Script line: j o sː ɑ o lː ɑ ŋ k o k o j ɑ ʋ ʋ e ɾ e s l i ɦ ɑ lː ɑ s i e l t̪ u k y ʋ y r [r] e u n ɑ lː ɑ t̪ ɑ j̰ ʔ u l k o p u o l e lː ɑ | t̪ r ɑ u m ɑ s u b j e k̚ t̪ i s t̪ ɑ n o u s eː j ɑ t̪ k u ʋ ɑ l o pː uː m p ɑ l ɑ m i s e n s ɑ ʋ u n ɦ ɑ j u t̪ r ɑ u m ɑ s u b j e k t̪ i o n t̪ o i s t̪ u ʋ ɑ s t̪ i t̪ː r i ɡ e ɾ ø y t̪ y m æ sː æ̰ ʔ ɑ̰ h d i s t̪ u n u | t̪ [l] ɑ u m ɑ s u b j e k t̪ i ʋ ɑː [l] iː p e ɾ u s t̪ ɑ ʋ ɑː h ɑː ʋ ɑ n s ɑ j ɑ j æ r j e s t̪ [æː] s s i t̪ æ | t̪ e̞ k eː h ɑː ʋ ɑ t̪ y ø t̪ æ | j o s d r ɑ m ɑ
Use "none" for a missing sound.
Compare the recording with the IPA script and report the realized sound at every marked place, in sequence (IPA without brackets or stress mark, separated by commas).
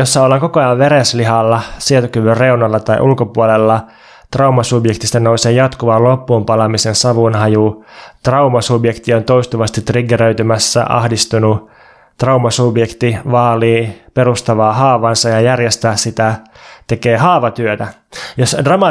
r, r, l, æː